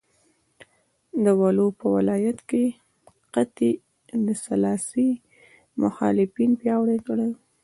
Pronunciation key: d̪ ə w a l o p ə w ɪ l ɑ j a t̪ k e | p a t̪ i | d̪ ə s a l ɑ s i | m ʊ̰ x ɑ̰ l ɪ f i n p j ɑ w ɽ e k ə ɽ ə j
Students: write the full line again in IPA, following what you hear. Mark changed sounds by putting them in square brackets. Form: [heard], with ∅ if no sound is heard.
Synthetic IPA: d̪ ə w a l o p ə w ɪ l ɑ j a t̪ k e | [q] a t̪ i | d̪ ə s a l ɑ s i | m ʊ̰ x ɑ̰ l ɪ f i n p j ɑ w ɽ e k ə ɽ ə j